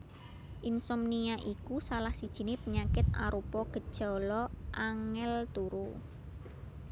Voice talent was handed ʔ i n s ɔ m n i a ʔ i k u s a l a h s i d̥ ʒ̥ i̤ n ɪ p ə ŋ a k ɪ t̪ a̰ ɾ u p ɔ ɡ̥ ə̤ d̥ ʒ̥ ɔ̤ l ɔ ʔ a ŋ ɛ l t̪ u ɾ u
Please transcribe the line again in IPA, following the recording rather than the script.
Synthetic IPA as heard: ʔ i n s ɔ m n i a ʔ i k u s a l a h s i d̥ ʒ̥ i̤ n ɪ p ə ɲ a k ɪ t̪ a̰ ɾ u p ɔ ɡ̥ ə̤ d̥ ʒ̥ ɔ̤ l ɔ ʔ a ŋ ɛ l t̪ u ɾ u